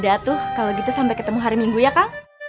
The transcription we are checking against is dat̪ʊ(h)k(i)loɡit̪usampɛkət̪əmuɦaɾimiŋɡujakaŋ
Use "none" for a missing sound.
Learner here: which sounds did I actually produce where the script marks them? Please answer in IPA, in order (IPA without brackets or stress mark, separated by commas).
h, a